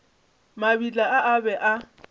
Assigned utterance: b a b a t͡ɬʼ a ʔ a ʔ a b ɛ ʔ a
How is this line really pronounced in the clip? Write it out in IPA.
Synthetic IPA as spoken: m a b i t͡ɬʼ a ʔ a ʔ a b ɛ ʔ a